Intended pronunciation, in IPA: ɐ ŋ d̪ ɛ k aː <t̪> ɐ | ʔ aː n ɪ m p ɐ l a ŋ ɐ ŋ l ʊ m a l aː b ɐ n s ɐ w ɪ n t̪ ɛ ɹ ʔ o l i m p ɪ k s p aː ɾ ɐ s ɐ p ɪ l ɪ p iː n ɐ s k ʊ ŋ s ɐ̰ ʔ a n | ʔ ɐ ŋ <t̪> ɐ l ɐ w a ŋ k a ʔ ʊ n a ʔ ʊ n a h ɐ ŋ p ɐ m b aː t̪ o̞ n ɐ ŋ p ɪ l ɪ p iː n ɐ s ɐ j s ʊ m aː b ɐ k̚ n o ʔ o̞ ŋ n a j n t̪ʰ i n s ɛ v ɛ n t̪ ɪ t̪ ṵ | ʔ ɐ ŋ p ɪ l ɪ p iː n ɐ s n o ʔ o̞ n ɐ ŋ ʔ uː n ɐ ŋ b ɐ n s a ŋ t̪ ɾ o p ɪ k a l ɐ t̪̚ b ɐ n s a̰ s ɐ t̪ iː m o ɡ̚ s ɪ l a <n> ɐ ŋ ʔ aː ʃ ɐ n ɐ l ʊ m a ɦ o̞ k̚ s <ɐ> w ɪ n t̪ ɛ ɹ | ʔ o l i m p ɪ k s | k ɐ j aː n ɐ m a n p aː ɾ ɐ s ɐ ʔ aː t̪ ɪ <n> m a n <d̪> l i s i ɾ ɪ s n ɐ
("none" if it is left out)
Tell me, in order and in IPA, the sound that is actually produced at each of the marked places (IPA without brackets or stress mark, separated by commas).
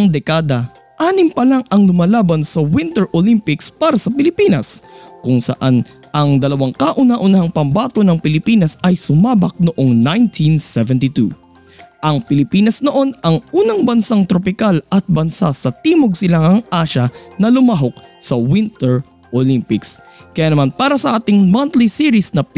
d̪, d̪, ŋ, ɐ, ŋ, t̪